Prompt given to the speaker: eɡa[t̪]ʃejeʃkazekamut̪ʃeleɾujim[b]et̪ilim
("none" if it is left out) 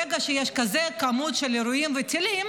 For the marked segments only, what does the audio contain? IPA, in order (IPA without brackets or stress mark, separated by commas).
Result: none, v